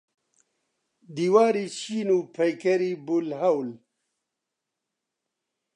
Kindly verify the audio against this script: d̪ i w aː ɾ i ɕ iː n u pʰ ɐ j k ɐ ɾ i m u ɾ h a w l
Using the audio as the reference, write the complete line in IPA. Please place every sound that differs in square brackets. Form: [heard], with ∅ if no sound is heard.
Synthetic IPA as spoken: d̪ i w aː ɾ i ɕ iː n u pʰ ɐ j k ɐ ɾ i [b] u [l] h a w l